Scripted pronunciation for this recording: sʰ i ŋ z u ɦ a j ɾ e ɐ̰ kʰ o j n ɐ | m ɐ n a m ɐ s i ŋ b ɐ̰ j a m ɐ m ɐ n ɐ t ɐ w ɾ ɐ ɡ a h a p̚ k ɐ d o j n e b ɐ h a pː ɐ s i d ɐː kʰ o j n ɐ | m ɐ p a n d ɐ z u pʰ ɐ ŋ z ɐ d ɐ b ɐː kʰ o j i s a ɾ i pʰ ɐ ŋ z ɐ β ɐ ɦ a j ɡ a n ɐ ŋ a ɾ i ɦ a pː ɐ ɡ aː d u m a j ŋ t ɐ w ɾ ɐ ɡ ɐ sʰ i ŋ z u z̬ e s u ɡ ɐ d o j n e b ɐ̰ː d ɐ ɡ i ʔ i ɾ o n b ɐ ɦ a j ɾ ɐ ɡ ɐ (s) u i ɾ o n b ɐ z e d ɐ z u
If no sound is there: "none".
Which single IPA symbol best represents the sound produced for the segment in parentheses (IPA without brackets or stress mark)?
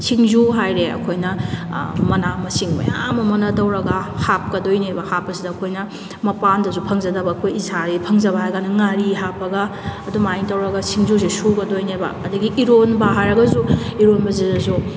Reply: z